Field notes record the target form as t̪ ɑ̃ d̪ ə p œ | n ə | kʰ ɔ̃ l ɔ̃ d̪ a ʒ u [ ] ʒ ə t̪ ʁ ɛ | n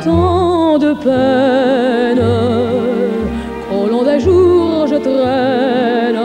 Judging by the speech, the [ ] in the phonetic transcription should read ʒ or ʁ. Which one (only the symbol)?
ʁ